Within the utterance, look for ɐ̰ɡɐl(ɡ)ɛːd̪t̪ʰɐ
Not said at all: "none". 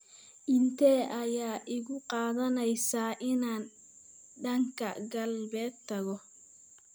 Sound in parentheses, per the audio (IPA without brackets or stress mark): b